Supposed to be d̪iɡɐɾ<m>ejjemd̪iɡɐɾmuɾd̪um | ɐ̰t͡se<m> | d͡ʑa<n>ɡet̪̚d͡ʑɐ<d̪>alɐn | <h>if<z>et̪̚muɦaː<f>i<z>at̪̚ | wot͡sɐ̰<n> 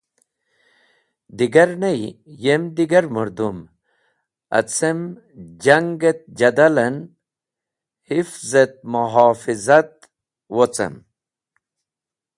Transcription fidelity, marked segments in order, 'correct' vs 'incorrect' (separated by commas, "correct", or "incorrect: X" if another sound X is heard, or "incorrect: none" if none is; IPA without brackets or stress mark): incorrect: n, correct, incorrect: ŋ, correct, correct, correct, correct, correct, incorrect: m